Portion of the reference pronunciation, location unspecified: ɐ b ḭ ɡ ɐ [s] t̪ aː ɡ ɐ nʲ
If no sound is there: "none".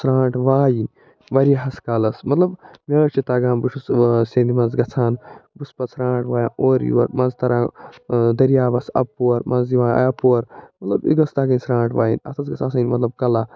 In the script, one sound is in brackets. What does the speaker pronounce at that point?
s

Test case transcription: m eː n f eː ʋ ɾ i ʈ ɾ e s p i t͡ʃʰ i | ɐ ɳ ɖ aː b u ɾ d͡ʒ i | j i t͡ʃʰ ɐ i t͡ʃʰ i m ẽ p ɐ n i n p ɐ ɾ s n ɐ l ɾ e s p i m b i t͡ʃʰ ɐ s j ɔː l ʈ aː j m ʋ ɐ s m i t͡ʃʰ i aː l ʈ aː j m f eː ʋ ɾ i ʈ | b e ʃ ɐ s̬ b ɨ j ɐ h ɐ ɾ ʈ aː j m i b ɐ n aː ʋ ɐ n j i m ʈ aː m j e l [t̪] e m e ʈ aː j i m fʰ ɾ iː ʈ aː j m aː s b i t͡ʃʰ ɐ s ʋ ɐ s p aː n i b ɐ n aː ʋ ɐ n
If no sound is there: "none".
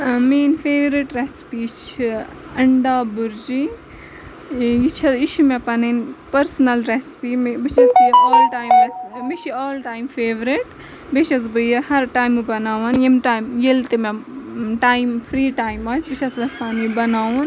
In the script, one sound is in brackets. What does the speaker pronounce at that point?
t̪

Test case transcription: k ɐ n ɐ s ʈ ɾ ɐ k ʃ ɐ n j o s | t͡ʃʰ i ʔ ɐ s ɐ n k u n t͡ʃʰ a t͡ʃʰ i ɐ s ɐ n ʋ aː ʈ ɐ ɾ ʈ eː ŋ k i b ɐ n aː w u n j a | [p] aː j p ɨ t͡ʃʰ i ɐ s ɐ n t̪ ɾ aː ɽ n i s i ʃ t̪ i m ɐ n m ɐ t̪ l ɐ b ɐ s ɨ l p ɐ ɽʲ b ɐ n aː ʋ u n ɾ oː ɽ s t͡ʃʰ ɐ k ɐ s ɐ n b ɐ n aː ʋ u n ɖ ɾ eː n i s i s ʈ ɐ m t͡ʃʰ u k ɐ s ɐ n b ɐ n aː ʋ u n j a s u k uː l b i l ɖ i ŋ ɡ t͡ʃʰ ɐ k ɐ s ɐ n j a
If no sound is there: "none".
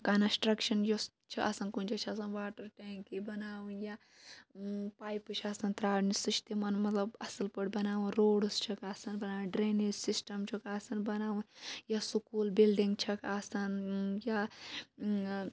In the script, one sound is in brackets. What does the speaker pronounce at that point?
p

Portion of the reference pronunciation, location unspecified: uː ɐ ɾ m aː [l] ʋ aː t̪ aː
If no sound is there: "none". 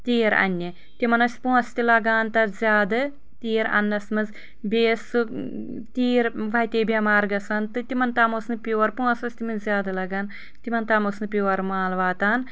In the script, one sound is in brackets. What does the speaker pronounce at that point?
l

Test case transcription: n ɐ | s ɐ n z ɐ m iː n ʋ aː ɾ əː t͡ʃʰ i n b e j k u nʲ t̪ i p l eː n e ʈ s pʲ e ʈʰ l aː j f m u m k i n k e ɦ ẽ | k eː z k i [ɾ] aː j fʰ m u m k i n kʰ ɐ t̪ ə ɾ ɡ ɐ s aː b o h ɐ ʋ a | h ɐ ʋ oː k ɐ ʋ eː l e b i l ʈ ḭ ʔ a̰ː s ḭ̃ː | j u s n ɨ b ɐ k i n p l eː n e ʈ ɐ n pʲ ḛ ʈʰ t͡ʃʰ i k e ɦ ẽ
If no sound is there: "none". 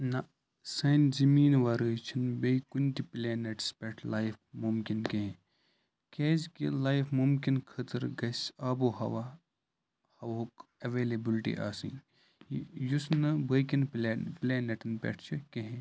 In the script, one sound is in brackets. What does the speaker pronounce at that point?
l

